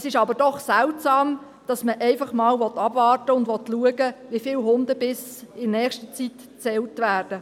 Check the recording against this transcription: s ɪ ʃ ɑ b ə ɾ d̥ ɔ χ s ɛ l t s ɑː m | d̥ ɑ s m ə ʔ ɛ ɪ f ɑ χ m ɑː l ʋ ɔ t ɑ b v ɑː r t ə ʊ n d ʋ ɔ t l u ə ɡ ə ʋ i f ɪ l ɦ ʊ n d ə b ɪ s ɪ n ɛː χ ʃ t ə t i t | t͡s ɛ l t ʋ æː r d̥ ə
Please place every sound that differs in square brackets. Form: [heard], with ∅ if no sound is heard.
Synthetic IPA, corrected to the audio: s ɪ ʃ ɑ b ə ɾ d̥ ɔ χ s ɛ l t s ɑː m | d̥ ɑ s m ə ʔ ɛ ɪ f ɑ χ m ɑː l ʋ ɔ t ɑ b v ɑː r t ə ʊ n d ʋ ɔ t l u ə ɡ ə ʋ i f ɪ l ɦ ʊ n d ə b ɪ s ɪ n ɛː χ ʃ t ə [t͡s] i t | t͡s ɛ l t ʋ æː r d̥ ə